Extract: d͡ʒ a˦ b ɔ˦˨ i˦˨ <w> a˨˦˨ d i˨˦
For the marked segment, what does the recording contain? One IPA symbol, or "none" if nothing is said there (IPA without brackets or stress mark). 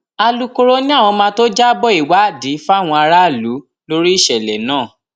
w